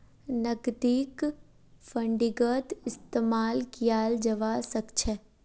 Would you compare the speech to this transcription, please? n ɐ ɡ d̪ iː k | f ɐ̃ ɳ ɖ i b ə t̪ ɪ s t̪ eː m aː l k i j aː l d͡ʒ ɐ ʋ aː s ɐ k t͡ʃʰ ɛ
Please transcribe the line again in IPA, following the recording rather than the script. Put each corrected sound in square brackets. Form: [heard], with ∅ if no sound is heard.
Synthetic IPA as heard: n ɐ ɡ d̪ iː k | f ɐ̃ ɳ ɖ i [ɡ] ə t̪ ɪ s t̪ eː m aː l k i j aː l d͡ʒ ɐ ʋ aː s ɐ k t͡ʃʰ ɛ